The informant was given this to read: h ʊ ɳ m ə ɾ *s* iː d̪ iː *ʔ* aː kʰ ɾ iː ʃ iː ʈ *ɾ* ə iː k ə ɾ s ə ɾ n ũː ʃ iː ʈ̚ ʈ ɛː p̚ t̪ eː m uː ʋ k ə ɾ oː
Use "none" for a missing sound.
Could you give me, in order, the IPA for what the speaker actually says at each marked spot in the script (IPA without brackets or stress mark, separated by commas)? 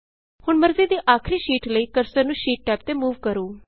z, ʔ, l